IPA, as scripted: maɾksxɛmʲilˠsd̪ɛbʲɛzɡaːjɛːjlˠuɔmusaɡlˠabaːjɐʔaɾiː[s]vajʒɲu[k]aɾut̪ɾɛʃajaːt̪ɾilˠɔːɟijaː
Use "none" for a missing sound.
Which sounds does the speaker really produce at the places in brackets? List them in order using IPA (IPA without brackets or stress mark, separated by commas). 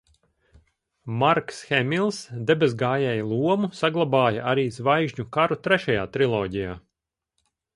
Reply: z, k